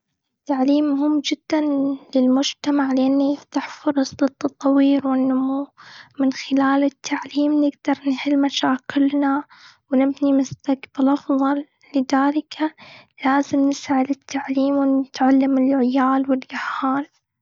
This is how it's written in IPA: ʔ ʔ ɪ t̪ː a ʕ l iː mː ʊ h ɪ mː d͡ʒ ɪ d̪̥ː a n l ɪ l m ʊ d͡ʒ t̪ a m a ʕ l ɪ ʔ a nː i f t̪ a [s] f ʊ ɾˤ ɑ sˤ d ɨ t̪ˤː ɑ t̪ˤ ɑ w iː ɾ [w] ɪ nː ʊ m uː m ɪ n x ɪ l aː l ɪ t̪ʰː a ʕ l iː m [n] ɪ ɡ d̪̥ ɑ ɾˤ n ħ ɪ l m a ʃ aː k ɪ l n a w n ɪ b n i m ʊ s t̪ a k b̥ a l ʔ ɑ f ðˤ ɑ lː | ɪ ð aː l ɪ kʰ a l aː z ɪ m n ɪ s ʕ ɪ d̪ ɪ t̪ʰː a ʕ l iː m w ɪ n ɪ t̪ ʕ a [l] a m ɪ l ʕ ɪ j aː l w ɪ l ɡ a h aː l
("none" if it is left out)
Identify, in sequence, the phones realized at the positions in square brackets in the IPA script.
ħ, w, n, lː

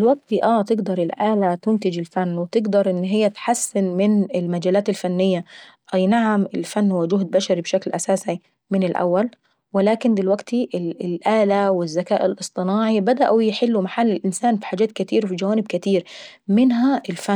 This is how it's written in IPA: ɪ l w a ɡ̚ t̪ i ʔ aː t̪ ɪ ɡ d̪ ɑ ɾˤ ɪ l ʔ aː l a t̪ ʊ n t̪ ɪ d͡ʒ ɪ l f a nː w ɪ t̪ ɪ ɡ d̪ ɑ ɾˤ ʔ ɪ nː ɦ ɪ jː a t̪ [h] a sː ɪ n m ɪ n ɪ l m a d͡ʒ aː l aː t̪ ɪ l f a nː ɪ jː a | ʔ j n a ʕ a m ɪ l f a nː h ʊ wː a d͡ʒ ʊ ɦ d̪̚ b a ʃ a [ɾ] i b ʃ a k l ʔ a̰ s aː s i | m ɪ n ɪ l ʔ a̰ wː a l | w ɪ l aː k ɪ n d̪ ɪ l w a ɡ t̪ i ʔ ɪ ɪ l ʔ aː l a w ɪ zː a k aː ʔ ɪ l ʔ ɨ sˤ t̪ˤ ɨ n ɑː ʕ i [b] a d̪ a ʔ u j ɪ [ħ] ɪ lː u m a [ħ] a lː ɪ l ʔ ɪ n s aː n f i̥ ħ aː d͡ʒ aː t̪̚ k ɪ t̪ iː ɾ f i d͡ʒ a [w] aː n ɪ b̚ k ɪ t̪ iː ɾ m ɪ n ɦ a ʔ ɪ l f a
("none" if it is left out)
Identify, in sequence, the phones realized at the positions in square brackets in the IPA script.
ħ, ɾ, b, ħ, ħ, w

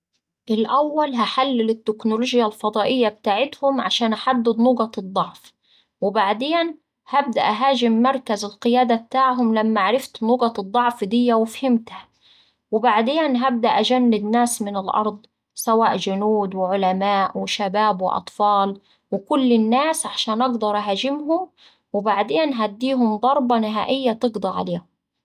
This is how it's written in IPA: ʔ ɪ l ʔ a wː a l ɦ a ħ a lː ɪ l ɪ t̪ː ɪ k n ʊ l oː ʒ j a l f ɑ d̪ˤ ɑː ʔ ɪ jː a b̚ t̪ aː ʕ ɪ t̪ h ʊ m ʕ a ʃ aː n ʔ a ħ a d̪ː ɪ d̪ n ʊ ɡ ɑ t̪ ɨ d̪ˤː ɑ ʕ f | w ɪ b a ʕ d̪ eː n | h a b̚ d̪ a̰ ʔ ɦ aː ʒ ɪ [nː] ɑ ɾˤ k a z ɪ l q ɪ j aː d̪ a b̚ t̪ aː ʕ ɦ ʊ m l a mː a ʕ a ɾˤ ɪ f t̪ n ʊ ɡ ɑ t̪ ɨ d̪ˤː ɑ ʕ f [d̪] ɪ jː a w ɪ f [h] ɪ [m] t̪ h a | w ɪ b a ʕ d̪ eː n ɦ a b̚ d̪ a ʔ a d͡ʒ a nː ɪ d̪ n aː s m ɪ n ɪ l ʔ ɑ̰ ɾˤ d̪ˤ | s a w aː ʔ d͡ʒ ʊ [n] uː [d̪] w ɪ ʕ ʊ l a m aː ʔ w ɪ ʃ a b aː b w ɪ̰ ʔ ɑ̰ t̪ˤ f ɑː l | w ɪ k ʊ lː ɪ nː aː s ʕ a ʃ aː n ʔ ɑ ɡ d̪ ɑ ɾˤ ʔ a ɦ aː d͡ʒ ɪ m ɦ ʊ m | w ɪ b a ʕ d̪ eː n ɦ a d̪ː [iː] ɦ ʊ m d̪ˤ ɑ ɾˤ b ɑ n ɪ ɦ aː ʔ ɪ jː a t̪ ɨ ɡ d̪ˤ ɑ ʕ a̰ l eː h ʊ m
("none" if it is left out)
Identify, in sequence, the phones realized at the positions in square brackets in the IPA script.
mː, d̪, h, m, n, d̪, iː

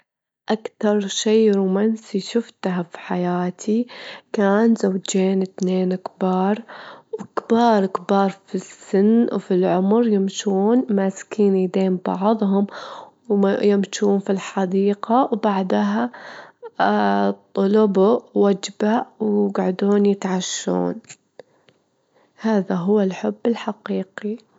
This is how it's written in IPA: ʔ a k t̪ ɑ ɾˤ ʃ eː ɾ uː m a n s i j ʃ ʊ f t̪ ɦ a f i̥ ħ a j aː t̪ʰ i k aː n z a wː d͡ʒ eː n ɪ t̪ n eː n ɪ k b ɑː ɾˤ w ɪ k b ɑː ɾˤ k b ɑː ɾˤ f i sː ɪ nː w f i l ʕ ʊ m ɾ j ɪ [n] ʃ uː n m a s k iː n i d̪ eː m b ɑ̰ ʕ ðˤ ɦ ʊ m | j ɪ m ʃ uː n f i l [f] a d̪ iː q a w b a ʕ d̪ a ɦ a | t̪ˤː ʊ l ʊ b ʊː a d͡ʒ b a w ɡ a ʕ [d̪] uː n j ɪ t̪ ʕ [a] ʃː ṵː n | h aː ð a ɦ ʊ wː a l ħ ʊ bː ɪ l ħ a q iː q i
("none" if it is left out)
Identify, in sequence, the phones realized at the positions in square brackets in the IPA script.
m, ħ, d̪, a

